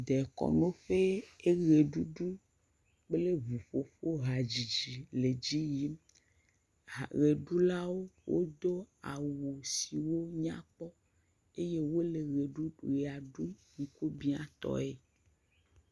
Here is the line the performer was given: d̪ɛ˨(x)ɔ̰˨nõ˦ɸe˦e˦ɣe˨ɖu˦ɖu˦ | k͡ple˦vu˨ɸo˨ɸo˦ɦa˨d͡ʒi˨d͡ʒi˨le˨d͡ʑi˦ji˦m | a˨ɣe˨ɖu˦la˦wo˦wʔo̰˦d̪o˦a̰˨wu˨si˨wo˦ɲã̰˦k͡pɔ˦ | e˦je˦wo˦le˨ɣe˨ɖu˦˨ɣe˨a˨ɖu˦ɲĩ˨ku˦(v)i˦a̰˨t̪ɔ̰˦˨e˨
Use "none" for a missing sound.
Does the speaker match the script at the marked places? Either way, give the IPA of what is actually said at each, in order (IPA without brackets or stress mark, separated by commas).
k, b